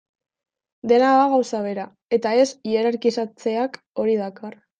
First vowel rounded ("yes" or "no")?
no